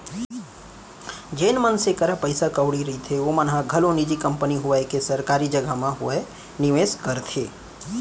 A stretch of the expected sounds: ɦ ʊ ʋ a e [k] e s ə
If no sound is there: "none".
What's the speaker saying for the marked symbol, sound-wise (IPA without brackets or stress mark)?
k